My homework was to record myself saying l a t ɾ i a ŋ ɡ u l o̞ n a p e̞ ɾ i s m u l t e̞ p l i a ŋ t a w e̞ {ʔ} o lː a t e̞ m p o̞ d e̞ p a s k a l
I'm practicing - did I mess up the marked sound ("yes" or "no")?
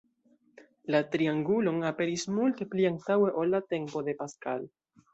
no